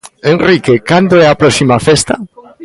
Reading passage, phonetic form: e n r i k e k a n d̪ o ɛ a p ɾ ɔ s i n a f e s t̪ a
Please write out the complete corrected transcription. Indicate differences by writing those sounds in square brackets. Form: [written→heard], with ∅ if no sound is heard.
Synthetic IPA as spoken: e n r i k e k a n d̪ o ɛ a p ɾ ɔ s i [n→m] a f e s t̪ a